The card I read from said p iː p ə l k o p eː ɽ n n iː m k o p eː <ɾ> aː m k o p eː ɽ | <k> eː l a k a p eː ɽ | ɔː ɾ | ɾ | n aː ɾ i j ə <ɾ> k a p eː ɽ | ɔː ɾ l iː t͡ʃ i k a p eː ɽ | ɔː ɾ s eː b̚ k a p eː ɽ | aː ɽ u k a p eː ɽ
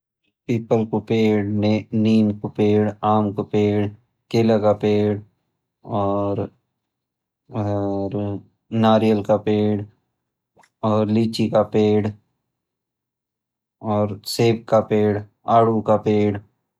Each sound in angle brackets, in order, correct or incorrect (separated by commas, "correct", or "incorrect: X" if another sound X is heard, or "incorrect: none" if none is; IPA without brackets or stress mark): incorrect: ɽ, correct, incorrect: l